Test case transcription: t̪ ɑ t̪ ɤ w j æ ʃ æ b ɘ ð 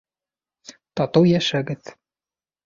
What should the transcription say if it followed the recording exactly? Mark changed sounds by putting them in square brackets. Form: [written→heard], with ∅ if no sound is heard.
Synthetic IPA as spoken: t̪ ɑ t̪ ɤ w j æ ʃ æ [b→ɡ] ɘ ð